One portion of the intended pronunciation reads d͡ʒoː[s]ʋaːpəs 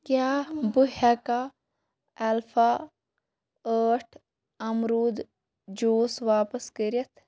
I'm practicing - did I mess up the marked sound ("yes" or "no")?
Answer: no